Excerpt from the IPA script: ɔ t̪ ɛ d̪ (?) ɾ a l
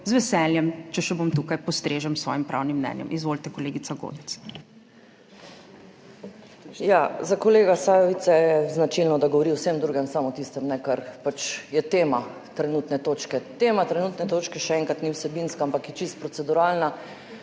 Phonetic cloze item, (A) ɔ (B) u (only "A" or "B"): B